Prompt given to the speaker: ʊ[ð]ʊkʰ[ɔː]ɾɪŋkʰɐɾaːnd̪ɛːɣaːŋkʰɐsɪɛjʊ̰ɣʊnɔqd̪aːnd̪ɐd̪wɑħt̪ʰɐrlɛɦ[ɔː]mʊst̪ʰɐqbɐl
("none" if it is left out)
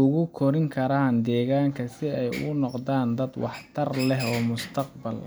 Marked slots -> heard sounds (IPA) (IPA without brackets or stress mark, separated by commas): ɣ, ɔ, ɔː